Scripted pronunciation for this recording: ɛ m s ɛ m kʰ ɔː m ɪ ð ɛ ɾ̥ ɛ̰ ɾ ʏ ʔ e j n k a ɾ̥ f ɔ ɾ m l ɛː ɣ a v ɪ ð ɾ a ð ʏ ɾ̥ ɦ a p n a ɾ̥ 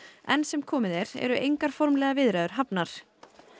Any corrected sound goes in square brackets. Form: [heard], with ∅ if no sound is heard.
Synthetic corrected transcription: ɛ [n] s ɛ m kʰ ɔː m ɪ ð ɛ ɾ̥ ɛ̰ ɾ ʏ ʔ e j [ŋ] k a ɾ̥ f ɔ ɾ m l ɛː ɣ a v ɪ ð ɾ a ð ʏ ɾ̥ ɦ a p n a ɾ̥

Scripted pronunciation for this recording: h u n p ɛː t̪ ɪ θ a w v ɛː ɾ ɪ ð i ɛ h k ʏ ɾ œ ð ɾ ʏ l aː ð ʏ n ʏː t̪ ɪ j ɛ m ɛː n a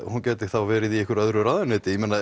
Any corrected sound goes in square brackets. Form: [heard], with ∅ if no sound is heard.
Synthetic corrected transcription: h u n [c] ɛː t̪ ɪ θ a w v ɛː ɾ ɪ ð i ɛ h k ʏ ɾ œ ð ɾ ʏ [ɾ] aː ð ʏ n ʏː t̪ ɪ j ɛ m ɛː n a

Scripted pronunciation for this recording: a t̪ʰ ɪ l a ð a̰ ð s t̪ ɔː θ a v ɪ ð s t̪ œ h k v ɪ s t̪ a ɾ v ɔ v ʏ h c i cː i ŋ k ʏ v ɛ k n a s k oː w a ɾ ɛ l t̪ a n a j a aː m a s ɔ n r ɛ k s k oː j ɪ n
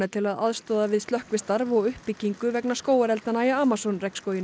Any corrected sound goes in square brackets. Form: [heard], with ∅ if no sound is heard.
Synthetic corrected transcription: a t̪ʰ ɪ l a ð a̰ ð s t̪ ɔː [ð] a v ɪ ð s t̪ œ h k v ɪ s t̪ a ɾ v ɔ [ɣ] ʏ h [p] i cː i ŋ k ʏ v ɛ k n a s k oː w a ɾ ɛ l t̪ a n a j a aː m a s ɔ n r ɛ k s k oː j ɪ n

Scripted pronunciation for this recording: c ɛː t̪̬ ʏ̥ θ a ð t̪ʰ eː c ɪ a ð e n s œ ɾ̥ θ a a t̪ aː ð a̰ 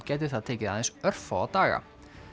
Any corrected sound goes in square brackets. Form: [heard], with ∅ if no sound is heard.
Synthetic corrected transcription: c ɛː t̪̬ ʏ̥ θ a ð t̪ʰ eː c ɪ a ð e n s œ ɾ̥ [f] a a t̪ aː [ɣ] a̰

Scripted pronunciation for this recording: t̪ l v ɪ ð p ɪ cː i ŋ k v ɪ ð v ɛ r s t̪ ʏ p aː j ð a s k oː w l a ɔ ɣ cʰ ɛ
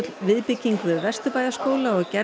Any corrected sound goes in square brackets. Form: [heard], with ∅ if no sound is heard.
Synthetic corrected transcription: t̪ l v ɪ ð p ɪ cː i ŋ k v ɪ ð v ɛ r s t̪ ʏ p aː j ð a s k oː w l a ɔ ɣ [c] ɛ

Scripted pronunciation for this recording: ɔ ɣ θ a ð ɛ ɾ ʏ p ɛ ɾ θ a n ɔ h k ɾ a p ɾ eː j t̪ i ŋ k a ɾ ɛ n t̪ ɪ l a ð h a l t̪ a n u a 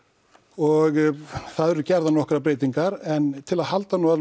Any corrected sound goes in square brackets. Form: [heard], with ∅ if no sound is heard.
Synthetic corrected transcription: ɔ ɣ θ a ð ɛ ɾ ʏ [c] ɛ ɾ [ð] a n ɔ h k ɾ a p ɾ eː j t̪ i ŋ k a ɾ ɛ n [t̪ʰ] ɪ l a ð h a l t̪ a n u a

